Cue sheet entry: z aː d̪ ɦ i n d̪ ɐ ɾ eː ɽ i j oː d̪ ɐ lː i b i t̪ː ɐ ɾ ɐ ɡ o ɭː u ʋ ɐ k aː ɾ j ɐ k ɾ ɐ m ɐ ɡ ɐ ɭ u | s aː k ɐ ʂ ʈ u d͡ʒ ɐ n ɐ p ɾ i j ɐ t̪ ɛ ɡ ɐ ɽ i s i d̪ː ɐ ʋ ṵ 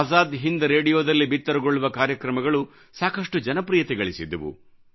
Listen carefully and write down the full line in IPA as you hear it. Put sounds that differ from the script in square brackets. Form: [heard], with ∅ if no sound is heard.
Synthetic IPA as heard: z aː d̪ ɦ i n d̪ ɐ ɾ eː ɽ i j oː d̪ ɐ lː i b i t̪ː ɐ ɾ ɐ ɡ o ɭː u ʋ ɐ k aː ɾ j ɐ k ɾ ɐ m ɐ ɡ ɐ ɭ u | s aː k ɐ ʂ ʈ u d͡ʒ ɐ n ɐ p ɾ i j ɐ t̪ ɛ ɡ ɐ [ɭ] i s i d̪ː ɐ ʋ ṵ